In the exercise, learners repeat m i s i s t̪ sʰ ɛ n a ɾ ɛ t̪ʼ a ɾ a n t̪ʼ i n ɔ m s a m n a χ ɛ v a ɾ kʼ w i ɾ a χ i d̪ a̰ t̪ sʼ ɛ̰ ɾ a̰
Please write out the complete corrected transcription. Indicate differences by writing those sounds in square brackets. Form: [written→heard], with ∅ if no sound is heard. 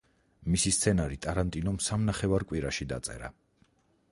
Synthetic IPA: m i s i s t̪ sʰ ɛ n a ɾ [ɛ→i] t̪ʼ a ɾ a n t̪ʼ i n ɔ m s a m n a χ ɛ v a ɾ kʼ w i ɾ a [χ→ʃ] i d̪ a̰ t̪ sʼ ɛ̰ ɾ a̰